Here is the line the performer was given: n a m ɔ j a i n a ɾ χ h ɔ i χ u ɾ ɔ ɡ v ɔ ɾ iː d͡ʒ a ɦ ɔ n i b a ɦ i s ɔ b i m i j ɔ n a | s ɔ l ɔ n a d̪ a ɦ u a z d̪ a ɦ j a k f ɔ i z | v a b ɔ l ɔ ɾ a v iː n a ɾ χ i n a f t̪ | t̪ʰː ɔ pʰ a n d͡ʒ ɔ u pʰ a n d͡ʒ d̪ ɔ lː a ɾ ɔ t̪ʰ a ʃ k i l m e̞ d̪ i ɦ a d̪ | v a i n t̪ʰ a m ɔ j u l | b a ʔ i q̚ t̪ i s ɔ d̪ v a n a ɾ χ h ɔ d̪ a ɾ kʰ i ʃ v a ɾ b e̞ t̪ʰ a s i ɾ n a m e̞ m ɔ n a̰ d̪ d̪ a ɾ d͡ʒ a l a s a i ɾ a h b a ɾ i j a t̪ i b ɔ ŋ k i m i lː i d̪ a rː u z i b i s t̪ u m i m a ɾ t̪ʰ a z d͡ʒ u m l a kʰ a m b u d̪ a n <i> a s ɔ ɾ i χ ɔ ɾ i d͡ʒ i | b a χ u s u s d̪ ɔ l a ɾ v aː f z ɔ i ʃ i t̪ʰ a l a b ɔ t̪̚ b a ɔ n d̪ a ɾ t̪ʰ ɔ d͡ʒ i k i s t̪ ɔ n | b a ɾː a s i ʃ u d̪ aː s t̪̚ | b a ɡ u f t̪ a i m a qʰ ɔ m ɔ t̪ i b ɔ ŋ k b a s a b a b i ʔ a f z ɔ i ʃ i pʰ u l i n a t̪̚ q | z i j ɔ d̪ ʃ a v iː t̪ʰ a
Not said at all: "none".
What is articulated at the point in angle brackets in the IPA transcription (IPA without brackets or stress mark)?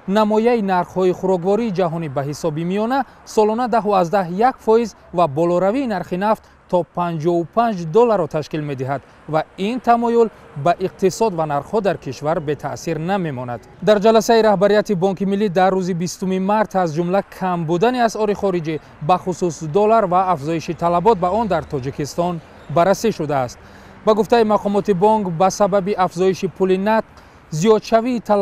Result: i